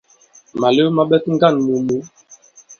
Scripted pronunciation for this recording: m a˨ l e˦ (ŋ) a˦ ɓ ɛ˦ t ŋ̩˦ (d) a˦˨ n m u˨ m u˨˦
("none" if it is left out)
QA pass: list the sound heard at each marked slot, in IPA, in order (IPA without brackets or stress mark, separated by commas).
m, ɡ